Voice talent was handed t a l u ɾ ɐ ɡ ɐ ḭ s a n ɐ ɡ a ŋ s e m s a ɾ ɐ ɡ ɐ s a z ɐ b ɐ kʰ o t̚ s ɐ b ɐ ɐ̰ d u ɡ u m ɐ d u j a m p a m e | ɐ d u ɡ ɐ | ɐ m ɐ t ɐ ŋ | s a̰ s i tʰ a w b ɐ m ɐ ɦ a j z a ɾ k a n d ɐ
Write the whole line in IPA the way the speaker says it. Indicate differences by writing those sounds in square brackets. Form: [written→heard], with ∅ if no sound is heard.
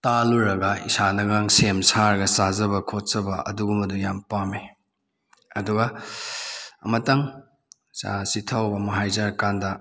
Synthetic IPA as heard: t a l u ɾ ɐ ɡ ɐ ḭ s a n ɐ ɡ a ŋ s e m s a ɾ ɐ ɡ ɐ s a z ɐ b ɐ kʰ o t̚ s ɐ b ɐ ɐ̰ d u ɡ u m ɐ d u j a m p a m e | ɐ d u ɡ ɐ | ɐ m ɐ t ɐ ŋ | s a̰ s i tʰ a w b ɐ m ɐ ɦ a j z a ɾ k a n d ɐ